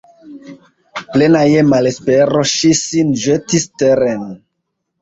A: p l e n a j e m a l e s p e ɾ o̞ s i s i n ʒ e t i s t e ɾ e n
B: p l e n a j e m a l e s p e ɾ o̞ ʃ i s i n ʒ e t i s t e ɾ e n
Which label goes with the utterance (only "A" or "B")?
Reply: B